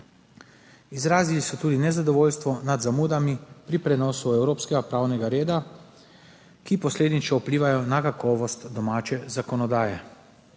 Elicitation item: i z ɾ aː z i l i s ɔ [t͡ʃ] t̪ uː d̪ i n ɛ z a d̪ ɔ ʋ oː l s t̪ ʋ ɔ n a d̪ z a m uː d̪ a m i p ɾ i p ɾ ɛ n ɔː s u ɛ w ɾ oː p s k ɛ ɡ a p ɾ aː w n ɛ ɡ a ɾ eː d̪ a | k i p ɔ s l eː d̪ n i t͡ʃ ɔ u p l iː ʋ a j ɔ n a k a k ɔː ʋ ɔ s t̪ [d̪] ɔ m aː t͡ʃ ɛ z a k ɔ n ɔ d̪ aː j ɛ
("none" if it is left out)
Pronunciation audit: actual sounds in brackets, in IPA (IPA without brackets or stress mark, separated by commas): none, d̪